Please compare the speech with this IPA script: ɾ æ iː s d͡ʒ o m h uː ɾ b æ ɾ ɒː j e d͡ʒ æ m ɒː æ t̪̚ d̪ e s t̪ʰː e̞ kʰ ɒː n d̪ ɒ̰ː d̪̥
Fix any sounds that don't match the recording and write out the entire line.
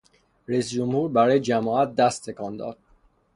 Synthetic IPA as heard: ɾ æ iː s d͡ʒ o m h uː ɾ b æ ɾ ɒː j e d͡ʒ æ m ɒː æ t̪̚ d̪ æ s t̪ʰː e̞ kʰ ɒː n d̪ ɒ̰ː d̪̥